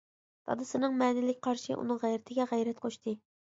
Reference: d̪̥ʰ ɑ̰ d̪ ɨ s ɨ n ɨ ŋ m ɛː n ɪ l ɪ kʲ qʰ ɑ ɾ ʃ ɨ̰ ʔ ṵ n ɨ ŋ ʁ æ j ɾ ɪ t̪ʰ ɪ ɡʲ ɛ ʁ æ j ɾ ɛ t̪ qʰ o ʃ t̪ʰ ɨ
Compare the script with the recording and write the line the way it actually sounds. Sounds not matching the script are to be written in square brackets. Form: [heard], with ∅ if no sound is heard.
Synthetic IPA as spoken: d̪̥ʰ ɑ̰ d̪ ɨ s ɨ n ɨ ŋ m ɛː n ɪ l ɪ kʲ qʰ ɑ ɾ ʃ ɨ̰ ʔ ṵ n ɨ ŋ ʁ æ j ɾ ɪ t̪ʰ ɪ ɡʲ ɛ ʁ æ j ɾ ɛ t̪ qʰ o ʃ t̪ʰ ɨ